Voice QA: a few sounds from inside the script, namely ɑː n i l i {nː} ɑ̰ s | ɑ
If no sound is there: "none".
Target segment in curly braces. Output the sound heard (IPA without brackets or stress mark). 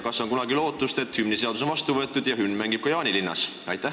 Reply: nː